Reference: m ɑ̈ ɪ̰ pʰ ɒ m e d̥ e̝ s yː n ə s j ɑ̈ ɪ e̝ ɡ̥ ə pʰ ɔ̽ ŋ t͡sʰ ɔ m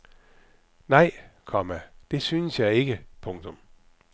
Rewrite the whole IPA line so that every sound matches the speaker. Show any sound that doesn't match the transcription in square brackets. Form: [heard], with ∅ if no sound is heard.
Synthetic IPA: [n] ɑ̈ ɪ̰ [kʰ] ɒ m [æ] d̥ e̝ s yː n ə s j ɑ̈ ɪ e̝ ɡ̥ ə pʰ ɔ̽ ŋ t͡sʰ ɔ m